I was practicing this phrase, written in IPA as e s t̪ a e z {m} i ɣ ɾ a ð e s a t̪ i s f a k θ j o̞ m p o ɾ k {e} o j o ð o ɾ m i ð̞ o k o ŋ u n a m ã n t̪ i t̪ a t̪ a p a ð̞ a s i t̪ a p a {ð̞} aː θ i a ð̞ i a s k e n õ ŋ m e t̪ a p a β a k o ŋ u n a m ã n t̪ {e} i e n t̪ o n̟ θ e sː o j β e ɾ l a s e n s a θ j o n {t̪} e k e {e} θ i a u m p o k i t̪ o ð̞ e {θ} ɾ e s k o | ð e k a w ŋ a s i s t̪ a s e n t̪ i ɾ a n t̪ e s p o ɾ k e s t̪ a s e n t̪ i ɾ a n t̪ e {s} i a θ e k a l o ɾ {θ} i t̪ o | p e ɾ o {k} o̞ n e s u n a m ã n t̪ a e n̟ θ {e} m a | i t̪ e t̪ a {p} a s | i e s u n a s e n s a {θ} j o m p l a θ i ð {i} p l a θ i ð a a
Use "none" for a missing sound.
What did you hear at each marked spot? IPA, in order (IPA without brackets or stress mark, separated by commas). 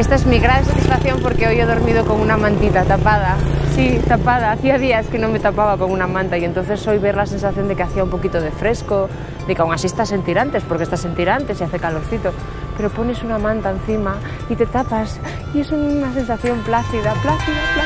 m, e, ð̞, a, d̪, a, f, s, θ, p, i, p, θ, a